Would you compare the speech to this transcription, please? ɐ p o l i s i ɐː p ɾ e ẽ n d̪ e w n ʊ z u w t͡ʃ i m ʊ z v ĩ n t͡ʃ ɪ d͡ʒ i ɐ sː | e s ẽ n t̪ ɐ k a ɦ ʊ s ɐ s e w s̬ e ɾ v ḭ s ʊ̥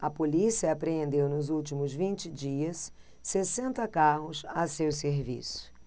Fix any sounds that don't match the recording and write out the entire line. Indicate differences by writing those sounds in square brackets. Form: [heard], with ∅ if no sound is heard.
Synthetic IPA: ɐ p o l i s i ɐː p ɾ e ẽ n d̪ e w n ʊ z u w t͡ʃ i m ʊ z v ĩ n t͡ʃ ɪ d͡ʒ i ɐ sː | e s ẽ n t̪ ɐ k a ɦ ʊ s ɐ s e w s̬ e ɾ v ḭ s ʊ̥

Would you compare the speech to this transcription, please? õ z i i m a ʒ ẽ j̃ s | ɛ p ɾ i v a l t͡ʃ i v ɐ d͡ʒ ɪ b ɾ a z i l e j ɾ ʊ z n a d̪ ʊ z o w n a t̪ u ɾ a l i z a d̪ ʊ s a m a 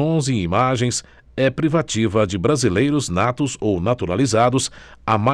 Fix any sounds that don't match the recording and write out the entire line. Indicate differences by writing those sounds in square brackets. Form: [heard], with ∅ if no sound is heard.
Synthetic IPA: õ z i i m a ʒ ẽ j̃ s | ɛ p ɾ i v a [∅] t͡ʃ i v ɐ d͡ʒ ɪ b ɾ a z i l e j ɾ ʊ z n a [t̪] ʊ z o w n a t̪ u ɾ a l i z a d̪ ʊ s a m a

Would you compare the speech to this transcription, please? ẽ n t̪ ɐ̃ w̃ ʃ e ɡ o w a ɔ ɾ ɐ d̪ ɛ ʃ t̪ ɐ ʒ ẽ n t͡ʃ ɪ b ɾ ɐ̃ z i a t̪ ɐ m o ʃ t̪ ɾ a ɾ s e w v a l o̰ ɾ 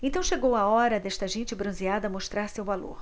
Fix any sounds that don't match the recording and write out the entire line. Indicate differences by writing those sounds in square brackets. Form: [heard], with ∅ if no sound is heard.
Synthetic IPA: ẽ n t̪ ɐ̃ w̃ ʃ e ɡ o w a ɔ ɾ ɐ d̪ ɛ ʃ t̪ ɐ ʒ ẽ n t͡ʃ ɪ b ɾ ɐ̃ z i a [d̪] ɐ m o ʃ t̪ ɾ a ɾ s e w v a l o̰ ɾ

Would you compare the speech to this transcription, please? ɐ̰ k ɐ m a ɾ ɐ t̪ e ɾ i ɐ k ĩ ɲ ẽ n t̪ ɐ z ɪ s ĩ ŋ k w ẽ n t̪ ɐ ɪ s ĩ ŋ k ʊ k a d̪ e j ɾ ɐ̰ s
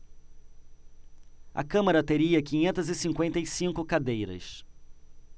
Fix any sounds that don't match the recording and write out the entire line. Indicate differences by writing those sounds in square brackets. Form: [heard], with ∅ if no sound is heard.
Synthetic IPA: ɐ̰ k [ɐ̃] m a ɾ ɐ t̪ e ɾ i ɐ k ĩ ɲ ẽ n t̪ ɐ z ɪ s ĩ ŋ k w ẽ n t̪ ɐ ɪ s ĩ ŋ k ʊ k a d̪ e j ɾ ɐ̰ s

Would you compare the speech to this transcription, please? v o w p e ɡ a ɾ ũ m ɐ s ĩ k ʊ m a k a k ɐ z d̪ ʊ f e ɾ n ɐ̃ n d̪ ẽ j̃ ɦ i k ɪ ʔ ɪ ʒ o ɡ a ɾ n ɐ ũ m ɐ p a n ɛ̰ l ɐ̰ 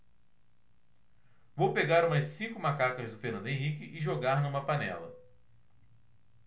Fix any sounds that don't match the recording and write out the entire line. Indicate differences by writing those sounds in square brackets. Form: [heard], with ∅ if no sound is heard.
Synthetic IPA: v o w p e ɡ a ɾ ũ m ɐ s ĩ k ʊ m a k a k ɐ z d̪ ʊ f e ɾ n ɐ̃ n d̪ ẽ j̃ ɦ i k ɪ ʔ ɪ ʒ o ɡ a ɾ n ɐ ũ m ɐ p a n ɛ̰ l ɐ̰

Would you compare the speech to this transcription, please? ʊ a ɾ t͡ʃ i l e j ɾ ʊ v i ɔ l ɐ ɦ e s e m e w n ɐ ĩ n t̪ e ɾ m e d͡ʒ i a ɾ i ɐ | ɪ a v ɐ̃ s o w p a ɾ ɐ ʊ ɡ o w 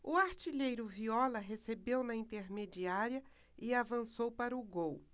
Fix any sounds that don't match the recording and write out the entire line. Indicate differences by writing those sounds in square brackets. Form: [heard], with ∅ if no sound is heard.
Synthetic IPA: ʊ a ɾ t͡ʃ i [ʎ] e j ɾ ʊ v i ɔ l ɐ ɦ e s e [b] e w n ɐ ĩ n t̪ e ɾ m e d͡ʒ i a ɾ i ɐ | ɪ a v ɐ̃ s o w p a ɾ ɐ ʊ ɡ o w

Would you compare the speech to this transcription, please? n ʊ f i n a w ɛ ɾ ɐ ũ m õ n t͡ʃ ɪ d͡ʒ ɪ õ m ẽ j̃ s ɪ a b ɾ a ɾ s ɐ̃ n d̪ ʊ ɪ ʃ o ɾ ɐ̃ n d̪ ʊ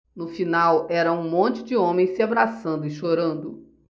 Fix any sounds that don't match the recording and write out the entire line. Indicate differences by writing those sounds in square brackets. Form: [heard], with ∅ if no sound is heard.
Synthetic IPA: n ʊ f i n a w ɛ ɾ ɐ ũ m õ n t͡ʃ ɪ d͡ʒ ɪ õ m ẽ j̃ s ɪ a b ɾ a [∅] s ɐ̃ n d̪ ʊ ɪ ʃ o ɾ ɐ̃ n d̪ ʊ

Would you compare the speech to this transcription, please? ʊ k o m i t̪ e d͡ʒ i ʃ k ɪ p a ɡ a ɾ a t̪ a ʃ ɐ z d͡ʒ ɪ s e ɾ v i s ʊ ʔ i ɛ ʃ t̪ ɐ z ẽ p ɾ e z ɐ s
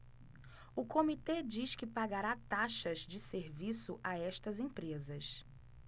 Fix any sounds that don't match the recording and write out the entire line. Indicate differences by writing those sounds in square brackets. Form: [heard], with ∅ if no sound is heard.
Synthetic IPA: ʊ k o m i t̪ e d͡ʒ i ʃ k ɪ p a ɡ a ɾ a t̪ a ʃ ɐ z d͡ʒ ɪ s e ɾ v i s ʊ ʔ [a] ɛ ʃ t̪ ɐ z ẽ p ɾ e z ɐ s

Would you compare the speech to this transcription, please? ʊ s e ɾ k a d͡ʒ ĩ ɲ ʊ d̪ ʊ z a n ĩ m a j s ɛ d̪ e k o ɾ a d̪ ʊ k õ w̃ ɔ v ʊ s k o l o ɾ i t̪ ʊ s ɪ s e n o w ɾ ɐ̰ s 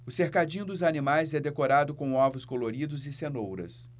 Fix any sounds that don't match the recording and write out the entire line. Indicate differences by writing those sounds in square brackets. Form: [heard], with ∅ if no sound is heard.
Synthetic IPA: ʊ s e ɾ k a d͡ʒ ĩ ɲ ʊ d̪ ʊ z a n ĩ m a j [z] ɛ d̪ e k o ɾ a d̪ ʊ k õ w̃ ɔ v ʊ s k o l o ɾ i [d̪] ʊ [z] ɪ s e n o w ɾ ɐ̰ s

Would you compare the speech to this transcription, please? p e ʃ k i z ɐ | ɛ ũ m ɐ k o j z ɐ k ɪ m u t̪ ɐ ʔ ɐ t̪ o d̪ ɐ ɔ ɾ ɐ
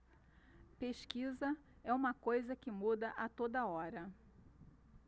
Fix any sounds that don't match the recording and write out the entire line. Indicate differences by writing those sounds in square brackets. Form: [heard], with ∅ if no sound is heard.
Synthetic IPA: p e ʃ k i z ɐ | ɛ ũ m ɐ k o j z ɐ k ɪ m u [d̪] ɐ ʔ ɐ t̪ o d̪ ɐ ɔ ɾ ɐ

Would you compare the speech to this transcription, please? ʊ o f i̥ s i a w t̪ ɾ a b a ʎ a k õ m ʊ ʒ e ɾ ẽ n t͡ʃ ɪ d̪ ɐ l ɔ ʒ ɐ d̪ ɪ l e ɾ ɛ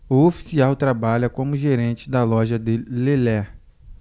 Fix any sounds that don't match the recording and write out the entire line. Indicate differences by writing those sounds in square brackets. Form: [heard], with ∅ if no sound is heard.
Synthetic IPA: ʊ o f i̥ s i a w t̪ ɾ a b a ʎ [ɐ] k õ m ʊ ʒ e ɾ ẽ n t͡ʃ ɪ d̪ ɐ l ɔ ʒ ɐ d̪ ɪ l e [l] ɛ

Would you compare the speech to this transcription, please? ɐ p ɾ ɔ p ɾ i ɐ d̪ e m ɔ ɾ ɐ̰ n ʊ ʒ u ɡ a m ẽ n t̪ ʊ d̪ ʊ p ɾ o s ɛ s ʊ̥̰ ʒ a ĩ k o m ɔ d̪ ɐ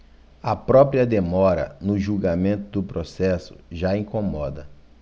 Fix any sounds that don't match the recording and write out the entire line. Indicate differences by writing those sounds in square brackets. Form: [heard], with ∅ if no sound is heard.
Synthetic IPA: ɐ p ɾ ɔ p ɾ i ɐ d̪ e m ɔ ɾ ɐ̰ n ʊ ʒ u ɡ a m ẽ n t̪ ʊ d̪ ʊ p ɾ o s ɛ s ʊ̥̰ ʒ a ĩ k o m ɔ d̪ ɐ

